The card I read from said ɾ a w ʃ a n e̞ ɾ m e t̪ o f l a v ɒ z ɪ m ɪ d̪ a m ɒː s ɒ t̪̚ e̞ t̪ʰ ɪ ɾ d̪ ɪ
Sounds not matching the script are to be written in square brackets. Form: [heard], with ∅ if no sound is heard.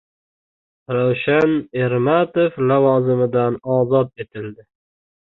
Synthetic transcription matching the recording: ɾ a w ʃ a n e̞ ɾ m [a] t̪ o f l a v ɒ z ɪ m ɪ d̪ a [n] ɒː [z] ɒ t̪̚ e̞ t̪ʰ ɪ [l] d̪ ɪ